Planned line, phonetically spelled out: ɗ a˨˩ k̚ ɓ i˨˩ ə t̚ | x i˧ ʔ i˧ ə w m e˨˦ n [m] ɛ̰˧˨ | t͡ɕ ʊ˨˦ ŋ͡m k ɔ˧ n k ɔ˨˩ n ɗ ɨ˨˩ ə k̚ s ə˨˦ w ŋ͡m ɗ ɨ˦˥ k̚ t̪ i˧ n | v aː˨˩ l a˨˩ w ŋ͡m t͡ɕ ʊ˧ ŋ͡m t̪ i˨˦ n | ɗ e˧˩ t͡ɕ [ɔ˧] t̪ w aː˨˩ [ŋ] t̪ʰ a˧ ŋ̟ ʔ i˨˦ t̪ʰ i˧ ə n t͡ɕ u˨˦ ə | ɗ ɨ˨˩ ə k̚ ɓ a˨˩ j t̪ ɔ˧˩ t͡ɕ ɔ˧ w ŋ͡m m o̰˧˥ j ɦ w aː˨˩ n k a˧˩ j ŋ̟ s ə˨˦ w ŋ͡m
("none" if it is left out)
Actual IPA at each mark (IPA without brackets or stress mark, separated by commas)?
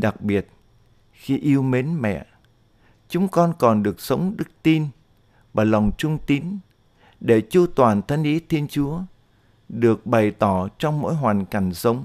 m, u˧, n